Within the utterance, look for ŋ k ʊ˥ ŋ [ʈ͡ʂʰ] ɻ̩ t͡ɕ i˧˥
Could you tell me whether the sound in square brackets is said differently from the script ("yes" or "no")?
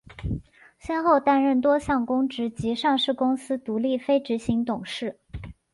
yes